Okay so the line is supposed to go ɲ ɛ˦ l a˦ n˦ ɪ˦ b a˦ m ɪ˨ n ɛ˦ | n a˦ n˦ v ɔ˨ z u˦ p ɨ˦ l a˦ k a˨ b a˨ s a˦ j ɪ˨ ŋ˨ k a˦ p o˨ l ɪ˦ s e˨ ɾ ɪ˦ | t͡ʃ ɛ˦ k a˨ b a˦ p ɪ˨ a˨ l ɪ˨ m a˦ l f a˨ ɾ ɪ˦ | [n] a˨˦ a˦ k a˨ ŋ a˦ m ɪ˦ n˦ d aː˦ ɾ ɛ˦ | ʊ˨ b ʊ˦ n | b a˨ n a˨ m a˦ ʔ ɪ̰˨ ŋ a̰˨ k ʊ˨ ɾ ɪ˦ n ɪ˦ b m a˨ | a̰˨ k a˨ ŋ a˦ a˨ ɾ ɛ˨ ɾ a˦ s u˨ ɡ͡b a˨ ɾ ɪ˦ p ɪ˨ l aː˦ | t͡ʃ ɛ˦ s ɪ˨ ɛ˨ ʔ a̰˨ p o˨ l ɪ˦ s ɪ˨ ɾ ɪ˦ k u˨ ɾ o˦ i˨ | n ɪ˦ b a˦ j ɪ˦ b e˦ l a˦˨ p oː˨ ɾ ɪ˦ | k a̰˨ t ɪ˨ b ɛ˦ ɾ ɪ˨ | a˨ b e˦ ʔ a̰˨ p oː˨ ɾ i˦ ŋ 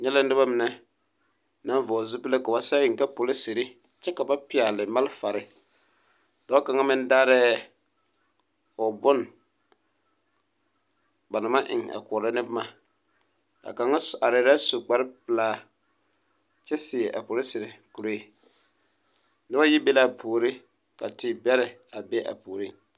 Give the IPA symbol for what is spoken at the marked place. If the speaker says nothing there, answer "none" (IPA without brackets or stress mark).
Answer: d